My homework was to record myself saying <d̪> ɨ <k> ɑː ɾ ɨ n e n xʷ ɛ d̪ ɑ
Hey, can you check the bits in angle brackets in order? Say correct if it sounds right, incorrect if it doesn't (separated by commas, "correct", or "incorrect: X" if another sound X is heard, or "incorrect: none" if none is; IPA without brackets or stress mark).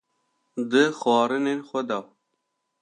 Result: correct, incorrect: x